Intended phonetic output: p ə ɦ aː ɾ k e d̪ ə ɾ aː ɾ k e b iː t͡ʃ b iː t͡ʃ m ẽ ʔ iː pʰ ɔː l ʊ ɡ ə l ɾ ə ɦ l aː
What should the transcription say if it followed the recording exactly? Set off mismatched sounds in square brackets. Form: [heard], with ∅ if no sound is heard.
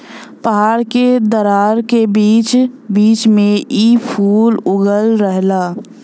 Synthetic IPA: p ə ɦ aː ɾ k e d̪ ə ɾ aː ɾ k e b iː t͡ʃ b iː t͡ʃ m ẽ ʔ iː pʰ [uː] l ʊ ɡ ə l ɾ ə ɦ l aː